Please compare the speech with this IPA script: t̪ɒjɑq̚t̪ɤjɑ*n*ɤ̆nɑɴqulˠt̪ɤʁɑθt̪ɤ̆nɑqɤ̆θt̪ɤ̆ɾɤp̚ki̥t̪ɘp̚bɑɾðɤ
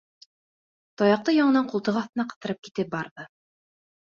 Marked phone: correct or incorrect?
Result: incorrect: ɴ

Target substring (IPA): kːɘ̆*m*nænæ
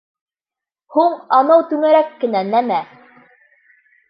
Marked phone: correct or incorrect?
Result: incorrect: none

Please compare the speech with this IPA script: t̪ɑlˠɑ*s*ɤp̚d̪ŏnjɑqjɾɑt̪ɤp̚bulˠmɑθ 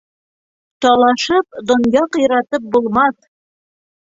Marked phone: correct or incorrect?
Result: incorrect: ʃ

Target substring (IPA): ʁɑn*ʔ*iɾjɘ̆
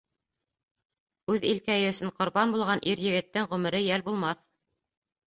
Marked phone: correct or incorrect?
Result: correct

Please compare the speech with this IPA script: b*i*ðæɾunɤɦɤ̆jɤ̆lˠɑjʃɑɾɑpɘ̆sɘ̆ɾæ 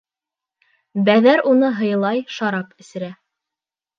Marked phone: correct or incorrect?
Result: incorrect: æ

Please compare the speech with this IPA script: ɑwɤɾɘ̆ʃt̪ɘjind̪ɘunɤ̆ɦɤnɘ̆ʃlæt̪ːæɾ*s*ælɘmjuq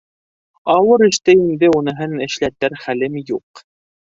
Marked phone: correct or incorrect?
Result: incorrect: χ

